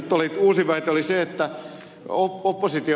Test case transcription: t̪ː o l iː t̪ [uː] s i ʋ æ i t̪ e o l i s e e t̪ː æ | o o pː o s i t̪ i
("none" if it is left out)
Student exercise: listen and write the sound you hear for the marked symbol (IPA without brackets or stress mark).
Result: uː